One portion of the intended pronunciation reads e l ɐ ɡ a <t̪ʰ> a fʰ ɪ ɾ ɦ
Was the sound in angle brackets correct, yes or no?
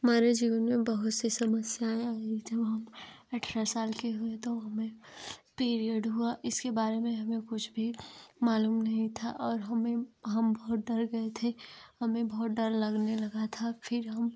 yes